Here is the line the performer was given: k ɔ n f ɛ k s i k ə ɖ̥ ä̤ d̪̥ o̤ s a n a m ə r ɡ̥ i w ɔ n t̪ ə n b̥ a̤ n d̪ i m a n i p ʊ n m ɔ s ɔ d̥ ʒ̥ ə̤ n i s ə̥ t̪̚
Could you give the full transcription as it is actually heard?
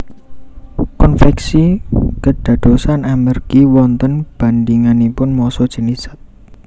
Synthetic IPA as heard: k ɔ n f ɛ k s i k ə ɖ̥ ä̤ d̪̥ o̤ s a n a m ə r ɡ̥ i w ɔ n t̪ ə n b̥ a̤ n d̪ i ŋ a n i p ʊ n m ɔ s ɔ d̥ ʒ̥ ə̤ n i s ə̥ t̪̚